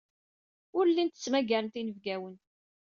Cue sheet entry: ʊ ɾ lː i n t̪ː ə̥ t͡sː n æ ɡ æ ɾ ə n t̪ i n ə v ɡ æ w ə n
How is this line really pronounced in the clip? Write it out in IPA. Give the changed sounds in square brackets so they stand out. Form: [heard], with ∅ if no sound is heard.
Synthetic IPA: ʊ ɾ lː i n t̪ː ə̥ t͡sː [m] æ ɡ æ ɾ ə n t̪ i n ə v ɡ æ w ə n